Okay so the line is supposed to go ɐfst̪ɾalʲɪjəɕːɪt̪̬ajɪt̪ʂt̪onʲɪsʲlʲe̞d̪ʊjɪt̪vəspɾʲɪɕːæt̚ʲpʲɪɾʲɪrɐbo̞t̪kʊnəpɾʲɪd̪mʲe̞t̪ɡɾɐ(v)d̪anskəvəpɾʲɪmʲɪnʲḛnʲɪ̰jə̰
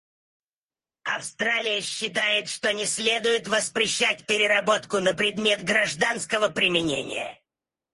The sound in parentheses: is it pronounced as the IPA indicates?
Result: no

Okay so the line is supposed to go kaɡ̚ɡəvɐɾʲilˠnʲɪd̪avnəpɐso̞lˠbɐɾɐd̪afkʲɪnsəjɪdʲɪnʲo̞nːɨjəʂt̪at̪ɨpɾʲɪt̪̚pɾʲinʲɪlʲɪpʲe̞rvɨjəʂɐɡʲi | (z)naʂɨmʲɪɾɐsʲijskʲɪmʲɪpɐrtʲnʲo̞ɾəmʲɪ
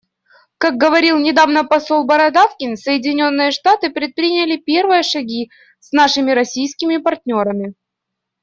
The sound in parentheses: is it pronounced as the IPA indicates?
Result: no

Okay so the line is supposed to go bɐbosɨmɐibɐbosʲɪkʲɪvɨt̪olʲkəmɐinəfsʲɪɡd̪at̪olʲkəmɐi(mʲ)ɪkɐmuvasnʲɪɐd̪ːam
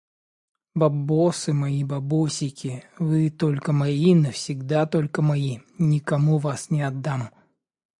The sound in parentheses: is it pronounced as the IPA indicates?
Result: no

